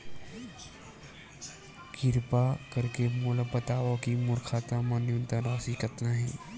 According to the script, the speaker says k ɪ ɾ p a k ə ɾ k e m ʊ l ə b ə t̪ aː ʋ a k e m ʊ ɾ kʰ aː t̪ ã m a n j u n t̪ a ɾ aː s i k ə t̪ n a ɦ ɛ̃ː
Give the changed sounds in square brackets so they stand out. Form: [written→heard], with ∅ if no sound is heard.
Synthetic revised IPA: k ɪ ɾ p a k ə ɾ k e m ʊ l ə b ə t̪ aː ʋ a k [e→i] m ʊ ɾ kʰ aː t̪ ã m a n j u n t̪ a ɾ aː s i k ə t̪ n a ɦ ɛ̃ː

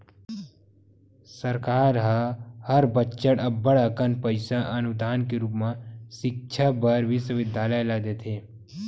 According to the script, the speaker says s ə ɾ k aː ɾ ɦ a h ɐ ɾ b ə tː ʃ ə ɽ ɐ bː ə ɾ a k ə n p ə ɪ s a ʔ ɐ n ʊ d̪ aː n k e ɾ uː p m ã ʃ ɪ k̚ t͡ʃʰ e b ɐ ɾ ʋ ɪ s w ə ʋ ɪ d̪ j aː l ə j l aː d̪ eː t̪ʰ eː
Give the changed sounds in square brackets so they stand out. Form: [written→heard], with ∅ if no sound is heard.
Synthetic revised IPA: s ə ɾ k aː ɾ ɦ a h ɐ ɾ b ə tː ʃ ə ɽ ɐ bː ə [ɾ→ɽ] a k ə n p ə ɪ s a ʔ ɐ n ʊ d̪ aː n k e ɾ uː p m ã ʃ ɪ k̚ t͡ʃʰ [e→a] b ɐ ɾ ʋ ɪ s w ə ʋ ɪ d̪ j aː l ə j l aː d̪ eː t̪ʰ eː

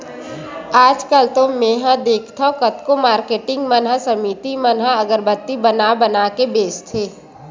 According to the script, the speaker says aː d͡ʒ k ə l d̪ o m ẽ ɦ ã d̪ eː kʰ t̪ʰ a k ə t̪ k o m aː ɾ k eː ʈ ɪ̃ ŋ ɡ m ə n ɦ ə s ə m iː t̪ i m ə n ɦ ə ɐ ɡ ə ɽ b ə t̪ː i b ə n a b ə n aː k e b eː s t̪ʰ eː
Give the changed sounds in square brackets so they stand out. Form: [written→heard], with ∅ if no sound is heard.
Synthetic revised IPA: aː d͡ʒ k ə l [d̪→t̪] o m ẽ ɦ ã d̪ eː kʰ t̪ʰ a k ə t̪ k o m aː ɾ k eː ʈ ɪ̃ ŋ ɡ m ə n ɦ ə s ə m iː t̪ i m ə n ɦ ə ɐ ɡ ə [ɽ→ɾ] b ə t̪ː i b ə n a b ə n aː k e b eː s t̪ʰ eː

